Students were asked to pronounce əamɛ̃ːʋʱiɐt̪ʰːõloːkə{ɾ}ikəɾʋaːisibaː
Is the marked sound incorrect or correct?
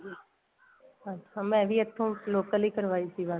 incorrect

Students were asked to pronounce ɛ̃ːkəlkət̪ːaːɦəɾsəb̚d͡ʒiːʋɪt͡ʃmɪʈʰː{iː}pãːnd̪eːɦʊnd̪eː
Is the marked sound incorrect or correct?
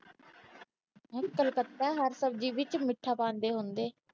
incorrect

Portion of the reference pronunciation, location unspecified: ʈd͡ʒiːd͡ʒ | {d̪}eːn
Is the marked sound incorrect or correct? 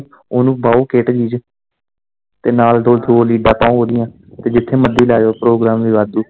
incorrect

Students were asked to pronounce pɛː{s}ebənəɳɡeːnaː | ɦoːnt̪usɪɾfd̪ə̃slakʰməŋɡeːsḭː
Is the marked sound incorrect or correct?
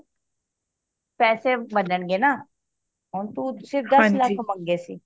correct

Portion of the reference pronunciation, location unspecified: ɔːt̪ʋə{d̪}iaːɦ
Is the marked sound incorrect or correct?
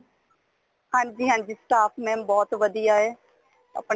correct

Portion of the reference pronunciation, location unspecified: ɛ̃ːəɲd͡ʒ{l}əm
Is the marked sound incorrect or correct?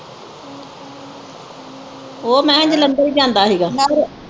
correct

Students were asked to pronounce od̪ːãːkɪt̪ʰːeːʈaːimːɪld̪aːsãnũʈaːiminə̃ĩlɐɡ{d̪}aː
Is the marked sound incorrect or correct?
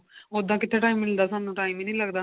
correct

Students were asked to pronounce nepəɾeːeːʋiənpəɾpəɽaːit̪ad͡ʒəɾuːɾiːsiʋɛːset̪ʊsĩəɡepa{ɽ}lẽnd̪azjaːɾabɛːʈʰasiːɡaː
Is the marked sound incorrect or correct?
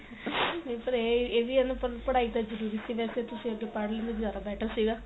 correct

